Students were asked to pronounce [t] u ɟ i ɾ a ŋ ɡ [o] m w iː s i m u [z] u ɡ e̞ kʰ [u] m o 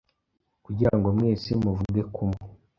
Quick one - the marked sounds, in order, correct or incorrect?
incorrect, correct, incorrect, correct

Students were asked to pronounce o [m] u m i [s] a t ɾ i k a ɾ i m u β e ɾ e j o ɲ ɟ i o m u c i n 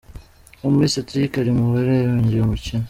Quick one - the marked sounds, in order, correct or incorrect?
correct, correct

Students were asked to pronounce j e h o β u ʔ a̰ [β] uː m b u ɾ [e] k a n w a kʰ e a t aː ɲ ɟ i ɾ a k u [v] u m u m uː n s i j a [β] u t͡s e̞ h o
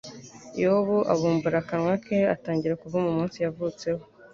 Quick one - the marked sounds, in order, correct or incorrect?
correct, incorrect, correct, incorrect

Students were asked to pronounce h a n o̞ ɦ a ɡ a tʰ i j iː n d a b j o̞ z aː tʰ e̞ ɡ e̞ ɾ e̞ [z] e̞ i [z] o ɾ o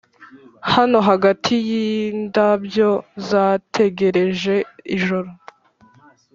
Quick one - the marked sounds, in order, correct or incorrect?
incorrect, incorrect

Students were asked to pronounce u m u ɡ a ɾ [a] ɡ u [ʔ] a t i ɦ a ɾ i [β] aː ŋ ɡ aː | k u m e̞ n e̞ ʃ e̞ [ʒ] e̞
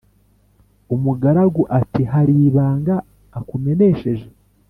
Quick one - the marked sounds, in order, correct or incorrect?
correct, correct, correct, correct

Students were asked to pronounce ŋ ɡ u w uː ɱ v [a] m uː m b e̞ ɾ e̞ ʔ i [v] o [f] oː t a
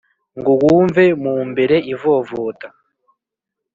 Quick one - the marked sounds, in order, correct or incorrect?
incorrect, correct, incorrect

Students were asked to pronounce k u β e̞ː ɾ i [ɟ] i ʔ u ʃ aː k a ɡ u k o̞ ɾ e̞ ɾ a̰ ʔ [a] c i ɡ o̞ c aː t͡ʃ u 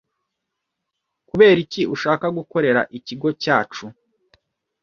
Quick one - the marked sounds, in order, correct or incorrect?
incorrect, incorrect

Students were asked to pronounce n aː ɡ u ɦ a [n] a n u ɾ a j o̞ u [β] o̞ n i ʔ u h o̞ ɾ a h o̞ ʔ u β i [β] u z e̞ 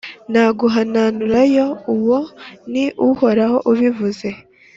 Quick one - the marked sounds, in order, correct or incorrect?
correct, incorrect, incorrect

